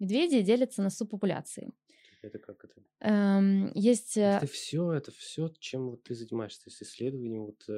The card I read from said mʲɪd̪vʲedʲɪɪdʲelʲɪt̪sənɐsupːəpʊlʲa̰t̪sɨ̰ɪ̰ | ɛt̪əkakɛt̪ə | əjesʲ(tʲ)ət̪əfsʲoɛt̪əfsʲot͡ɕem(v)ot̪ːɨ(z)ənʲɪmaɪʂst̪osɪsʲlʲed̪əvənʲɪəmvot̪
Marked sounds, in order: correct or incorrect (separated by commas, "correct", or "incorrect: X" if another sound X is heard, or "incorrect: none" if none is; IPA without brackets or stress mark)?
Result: correct, correct, correct